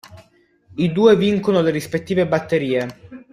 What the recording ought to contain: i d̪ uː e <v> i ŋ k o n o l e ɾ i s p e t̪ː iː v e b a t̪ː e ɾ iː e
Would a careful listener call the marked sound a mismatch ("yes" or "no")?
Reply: no